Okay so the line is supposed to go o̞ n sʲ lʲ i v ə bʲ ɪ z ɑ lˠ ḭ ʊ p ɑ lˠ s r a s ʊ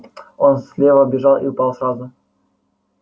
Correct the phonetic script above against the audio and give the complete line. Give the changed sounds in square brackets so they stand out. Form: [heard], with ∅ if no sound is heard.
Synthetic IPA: o̞ n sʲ lʲ [e] v ə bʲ ɪ [ʐ] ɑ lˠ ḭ ʊ p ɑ lˠ s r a [z] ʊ